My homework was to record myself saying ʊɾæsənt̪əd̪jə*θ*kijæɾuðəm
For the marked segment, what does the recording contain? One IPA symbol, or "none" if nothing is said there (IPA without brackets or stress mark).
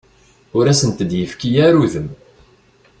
f